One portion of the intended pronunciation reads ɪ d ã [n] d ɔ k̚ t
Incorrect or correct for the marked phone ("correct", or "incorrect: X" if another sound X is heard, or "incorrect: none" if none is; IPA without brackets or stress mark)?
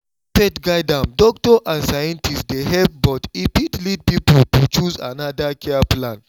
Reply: incorrect: m